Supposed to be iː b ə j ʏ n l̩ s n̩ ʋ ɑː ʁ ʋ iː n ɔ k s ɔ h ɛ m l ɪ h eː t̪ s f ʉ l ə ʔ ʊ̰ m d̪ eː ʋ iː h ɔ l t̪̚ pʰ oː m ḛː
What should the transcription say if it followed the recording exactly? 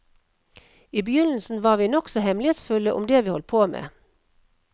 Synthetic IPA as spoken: iː b ə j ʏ n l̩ s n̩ ʋ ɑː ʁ ʋ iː n ɔ k s ɔ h ɛ m l ɪ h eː t̪ s f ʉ l ə ʔ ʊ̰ m d̪ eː ʋ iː h ɔ l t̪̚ pʰ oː m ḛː

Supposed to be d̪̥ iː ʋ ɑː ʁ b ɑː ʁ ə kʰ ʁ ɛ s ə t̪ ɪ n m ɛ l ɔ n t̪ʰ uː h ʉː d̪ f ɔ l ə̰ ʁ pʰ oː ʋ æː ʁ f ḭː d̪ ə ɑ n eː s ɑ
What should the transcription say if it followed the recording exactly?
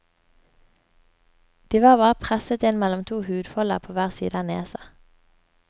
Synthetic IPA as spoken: d̪̥ iː ʋ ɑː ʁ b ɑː ʁ ə pʰ ʁ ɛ s ə t̪ ɪ n m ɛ l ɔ m t̪ʰ uː h ʉː d̪ f ɔ l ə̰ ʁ pʰ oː ʋ æː ʁ s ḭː d̪ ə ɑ n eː s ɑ

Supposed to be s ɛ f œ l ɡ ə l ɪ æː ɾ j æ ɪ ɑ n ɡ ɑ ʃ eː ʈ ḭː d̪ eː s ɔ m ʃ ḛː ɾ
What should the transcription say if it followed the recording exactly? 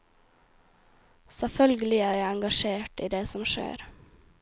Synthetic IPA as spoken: s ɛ f œ l ɡ ə l ɪ æː ɾ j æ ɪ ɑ ŋ ɡ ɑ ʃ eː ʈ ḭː d̪ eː s ɔ m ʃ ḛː ɾ

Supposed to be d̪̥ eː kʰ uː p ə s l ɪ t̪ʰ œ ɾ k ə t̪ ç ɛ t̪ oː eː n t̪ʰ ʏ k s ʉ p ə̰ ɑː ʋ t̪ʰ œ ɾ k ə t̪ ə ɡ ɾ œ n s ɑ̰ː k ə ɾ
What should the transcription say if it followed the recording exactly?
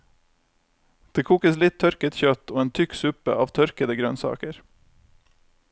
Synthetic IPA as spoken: d̪̥ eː kʰ uː k ə s l ɪ t̪ʰ œ ɾ k ə t̪ ç œ t̪ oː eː n t̪ʰ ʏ k s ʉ p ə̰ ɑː ʋ t̪ʰ œ ɾ k ə d̪ ə ɡ ɾ œ n s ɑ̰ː k ə ɾ

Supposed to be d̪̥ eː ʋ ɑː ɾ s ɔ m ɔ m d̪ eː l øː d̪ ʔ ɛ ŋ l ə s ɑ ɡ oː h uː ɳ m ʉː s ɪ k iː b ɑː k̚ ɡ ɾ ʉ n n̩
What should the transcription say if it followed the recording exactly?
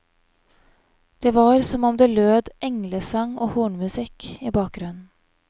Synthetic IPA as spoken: d̪̥ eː ʋ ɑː ɾ s ɔ m ɔ m d̪ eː l øː d̪ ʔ ɛ ŋ l ə s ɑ ŋ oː h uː ɳ m ʉ s ɪ k iː b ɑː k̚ ɡ ɾ ʉ n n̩

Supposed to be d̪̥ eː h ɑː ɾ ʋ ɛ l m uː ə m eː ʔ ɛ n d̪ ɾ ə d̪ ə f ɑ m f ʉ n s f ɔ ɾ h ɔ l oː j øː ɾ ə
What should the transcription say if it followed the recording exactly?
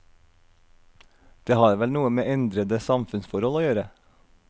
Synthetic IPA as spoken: d̪̥ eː h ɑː ɾ ʋ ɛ l n uː ə m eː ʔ ɛ n d̪ ɾ ə d̪ ə s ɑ m f ʉ n s f ɔ ɾ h ɔ l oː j øː ɾ ə

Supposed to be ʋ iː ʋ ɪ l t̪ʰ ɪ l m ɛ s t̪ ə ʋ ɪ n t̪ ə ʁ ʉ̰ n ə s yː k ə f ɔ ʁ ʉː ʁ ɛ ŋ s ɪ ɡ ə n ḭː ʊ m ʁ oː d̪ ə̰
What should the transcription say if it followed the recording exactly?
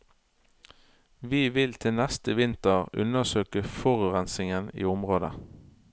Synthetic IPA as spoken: ʋ iː ʋ ɪ l t̪ʰ ɪ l n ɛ s t̪ ə ʋ ɪ n t̪ ə ʁ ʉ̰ n ə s øː k ə f ɔ ʁ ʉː ʁ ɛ n s ɪ ŋ ə n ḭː ʊ m ʁ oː d̪ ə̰

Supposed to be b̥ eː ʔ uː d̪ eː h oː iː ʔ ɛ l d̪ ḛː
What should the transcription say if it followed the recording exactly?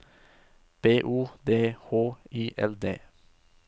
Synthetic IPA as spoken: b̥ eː ʔ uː d̪ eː h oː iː ʔ ɛ l d̪ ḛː

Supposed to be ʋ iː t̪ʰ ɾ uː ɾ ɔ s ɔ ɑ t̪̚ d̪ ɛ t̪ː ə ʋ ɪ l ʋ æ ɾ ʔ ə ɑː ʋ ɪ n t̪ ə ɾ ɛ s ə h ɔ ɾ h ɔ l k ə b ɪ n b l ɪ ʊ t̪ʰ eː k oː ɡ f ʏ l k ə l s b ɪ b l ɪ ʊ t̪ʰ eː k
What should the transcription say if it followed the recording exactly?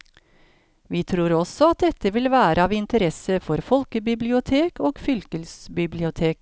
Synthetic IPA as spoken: ʋ iː t̪ʰ ɾ uː ɾ ɔ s ɔ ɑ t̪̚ d̪ ɛ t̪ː ə ʋ ɪ l ʋ æː ɾ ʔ ə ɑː ʋ ɪ n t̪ ə ɾ ɛ s ə f ɔ ɾ f ɔ l k ə b ɪ b l ɪ ʊ t̪ʰ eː k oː ɡ f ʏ l k ə l s b ɪ b l ɪ ʊ t̪ʰ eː k

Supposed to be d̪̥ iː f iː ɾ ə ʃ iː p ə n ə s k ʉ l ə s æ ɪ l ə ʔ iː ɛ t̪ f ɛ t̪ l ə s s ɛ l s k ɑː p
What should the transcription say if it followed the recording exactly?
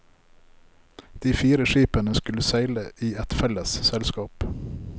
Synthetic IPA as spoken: d̪̥ iː f iː ɾ ə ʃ iː p ə n ə s k ʉ l ə s æ ɪ l ə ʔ iː ɛ t̪ f ɛ l ə s s ɛ l s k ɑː p

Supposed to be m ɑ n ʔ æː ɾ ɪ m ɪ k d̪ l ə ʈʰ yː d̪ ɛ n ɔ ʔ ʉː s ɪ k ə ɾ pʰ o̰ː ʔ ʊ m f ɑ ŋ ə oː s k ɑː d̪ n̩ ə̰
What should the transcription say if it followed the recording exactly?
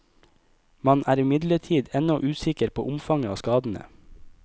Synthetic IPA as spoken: m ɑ n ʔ æː ɾ ɪ m ɪ d̪ l ə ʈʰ iː d̪ ɛ n ɔ ʔ ʉː s ɪ k ə ɾ pʰ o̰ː ʔ ʊ m f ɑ ŋ ə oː s k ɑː d̪ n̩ ə̰

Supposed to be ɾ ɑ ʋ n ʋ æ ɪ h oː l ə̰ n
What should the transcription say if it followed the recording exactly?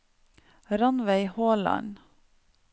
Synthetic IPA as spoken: ɾ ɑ n ʋ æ ɪ h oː l ɑ̰ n

